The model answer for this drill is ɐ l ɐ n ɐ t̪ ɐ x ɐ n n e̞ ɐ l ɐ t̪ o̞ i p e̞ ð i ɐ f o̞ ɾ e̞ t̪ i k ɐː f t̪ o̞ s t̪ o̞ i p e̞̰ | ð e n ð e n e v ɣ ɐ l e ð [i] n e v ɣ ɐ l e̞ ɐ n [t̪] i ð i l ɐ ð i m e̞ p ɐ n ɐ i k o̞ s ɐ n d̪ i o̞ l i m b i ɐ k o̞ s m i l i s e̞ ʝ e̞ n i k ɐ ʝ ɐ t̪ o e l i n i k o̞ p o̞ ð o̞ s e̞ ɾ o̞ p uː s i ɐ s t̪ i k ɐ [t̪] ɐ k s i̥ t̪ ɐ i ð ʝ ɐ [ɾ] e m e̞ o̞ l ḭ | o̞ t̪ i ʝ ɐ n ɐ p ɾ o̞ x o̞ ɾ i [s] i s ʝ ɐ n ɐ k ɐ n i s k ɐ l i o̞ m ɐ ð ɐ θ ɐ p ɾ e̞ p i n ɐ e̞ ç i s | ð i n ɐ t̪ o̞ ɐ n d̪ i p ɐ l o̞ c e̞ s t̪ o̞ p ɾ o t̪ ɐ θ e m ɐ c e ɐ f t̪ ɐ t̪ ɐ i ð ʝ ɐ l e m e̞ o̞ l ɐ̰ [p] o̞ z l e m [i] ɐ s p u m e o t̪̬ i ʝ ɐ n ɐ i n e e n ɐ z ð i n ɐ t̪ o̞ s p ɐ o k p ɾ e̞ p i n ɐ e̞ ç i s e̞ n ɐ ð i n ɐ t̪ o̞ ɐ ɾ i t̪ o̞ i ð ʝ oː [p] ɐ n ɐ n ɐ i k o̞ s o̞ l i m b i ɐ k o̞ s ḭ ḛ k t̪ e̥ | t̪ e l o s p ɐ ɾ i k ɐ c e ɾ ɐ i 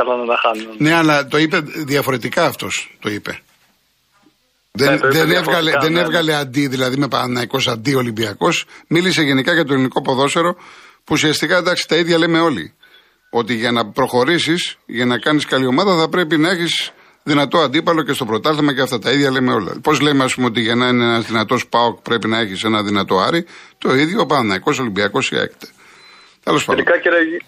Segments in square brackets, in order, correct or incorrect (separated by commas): incorrect, incorrect, incorrect, incorrect, correct, correct, incorrect, correct